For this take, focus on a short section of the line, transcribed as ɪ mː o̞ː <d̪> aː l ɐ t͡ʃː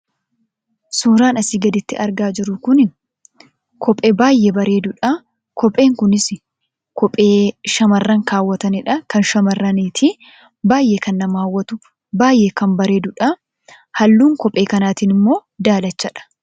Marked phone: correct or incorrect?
correct